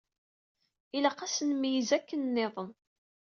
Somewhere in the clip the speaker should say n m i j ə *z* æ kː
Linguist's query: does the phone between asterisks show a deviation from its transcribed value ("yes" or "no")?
no